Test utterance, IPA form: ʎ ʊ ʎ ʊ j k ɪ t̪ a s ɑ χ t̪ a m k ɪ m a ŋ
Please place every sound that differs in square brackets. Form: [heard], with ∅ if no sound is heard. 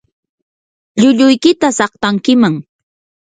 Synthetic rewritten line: ʎ ʊ ʎ ʊ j k ɪ t̪ a s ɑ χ t̪ a [ŋ] k ɪ m a ŋ